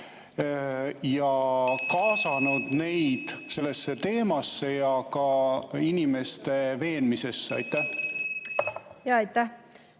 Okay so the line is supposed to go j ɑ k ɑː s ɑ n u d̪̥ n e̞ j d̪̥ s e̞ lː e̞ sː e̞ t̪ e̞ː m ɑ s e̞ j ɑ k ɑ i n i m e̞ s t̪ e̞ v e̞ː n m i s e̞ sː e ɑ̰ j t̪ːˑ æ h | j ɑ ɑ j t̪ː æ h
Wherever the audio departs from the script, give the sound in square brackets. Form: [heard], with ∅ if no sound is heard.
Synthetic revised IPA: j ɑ k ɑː s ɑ n u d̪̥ n e̞ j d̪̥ s e̞ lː e̞ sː e̞ t̪ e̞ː m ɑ [sː] e̞ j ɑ k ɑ i n i m e̞ s t̪ e̞ v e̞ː n m i s e̞ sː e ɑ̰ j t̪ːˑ æ h | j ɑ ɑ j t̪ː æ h